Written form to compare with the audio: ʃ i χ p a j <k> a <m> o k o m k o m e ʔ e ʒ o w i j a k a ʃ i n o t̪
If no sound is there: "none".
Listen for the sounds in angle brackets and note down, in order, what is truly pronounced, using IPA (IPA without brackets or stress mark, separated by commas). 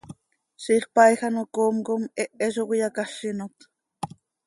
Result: x, n